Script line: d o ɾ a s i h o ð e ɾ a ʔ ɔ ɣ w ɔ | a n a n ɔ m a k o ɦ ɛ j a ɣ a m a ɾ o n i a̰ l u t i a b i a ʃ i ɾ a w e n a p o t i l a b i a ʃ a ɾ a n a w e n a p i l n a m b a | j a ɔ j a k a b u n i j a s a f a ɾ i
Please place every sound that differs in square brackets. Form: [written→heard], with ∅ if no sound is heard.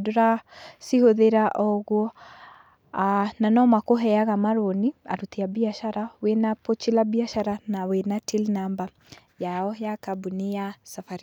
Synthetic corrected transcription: d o ɾ a s i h o ð e ɾ a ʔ ɔ ɣ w ɔ | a n a n ɔ m a k o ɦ ɛ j a ɣ a m a ɾ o n i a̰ [l→ɾ] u t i a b i a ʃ [i→a] ɾ a w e n a p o [t→t͡ʃ] i l a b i a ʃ a ɾ a n a w e n a [p→t] i l n a m b a | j a ɔ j a k a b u n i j a s a f a ɾ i